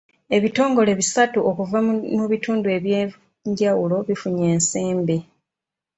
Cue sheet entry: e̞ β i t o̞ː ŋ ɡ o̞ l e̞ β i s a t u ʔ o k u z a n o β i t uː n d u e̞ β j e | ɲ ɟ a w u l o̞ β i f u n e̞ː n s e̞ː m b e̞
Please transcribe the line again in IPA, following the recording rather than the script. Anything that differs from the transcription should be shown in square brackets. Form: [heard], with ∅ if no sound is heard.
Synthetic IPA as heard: e̞ β i t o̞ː ŋ ɡ o̞ l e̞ β i s a t u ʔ o k u [v] a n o β i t uː n d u e̞ β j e | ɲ ɟ a w u l o̞ β i f u [ɲ] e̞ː n s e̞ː m b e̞